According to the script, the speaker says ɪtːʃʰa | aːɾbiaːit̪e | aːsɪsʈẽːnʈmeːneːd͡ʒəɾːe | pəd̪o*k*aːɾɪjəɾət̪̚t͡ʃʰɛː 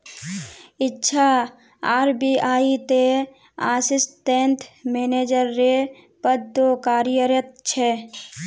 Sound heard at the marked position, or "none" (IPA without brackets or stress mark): k